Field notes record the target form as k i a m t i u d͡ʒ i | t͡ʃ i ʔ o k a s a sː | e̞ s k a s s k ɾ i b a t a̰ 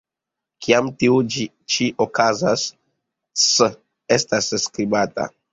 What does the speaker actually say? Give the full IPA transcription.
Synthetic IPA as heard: k i a m t i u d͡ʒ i | t͡ʃ i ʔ o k a z a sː | e̞ s t a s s k ɾ i b a t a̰